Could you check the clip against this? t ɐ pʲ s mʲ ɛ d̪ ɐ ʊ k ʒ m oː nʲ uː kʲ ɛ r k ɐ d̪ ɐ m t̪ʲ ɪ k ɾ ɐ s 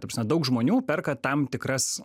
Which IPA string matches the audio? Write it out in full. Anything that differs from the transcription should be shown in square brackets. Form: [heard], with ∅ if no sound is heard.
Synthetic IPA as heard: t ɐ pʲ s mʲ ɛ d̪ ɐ ʊ k ʒ m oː nʲ uː [pʲ] ɛ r k ɐ [t̪] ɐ m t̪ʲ ɪ k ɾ ɐ s